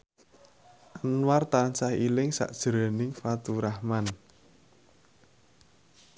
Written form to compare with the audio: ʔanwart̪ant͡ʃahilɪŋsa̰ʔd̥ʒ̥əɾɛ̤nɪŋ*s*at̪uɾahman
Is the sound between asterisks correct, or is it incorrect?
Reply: incorrect